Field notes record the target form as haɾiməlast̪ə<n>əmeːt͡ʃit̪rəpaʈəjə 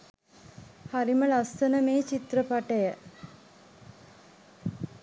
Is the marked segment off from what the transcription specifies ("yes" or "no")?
no